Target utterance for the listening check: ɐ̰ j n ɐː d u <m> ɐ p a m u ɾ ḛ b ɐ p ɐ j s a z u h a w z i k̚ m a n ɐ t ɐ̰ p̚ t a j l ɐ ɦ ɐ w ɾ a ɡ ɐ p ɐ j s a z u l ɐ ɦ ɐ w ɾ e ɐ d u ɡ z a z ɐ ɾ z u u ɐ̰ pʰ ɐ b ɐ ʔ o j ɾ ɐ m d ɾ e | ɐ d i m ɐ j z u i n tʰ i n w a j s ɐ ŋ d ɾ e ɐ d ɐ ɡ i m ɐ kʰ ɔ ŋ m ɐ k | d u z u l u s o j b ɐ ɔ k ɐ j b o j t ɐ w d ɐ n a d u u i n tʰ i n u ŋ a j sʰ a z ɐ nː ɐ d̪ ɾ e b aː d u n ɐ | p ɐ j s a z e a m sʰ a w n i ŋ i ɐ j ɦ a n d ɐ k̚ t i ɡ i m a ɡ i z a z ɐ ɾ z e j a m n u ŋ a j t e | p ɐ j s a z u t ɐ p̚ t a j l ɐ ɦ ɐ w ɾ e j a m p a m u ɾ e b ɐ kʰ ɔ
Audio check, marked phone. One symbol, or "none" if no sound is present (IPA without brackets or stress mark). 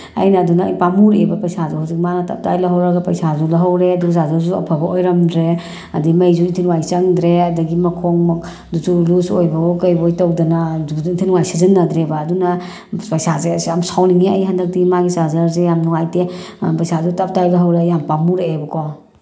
n